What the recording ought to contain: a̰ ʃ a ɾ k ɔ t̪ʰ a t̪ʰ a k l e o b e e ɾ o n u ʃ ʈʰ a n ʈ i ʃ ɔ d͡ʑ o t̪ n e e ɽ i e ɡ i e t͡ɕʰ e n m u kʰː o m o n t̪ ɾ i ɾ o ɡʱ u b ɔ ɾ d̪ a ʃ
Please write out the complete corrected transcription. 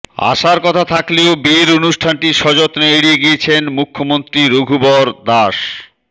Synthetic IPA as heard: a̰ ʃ a ɾ k ɔ t̪ʰ a t̪ʰ a k l e o b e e ɾ o n u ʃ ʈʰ a n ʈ i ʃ ɔ d͡ʑ o t̪ n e e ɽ i e ɡ i e t͡ɕʰ e n m u kʰː o m o n t̪ ɾ i ɾ o ɡʱ u b ɔ ɾ d̪ a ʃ